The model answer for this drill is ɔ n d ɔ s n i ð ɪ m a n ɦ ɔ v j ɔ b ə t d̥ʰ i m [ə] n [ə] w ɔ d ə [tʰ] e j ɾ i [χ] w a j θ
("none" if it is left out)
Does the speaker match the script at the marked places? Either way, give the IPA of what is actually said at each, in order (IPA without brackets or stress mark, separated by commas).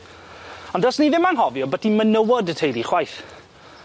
ə, ə, tʰ, χ